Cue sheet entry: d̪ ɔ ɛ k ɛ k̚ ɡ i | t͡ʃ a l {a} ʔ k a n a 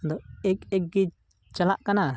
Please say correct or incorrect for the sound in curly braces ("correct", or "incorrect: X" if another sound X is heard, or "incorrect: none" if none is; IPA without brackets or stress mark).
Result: correct